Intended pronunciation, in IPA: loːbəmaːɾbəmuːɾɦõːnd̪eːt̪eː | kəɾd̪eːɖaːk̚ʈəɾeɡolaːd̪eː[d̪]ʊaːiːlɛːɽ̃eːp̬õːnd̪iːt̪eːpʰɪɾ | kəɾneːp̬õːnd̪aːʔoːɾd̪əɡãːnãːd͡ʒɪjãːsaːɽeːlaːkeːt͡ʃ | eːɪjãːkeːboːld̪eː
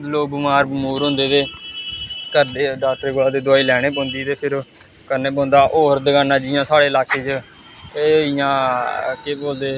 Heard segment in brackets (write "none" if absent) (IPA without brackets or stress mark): d̪